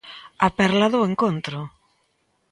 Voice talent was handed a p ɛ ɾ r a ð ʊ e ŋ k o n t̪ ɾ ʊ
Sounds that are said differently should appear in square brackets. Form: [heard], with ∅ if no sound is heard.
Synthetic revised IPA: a p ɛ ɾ [l] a ð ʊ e ŋ k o n t̪ ɾ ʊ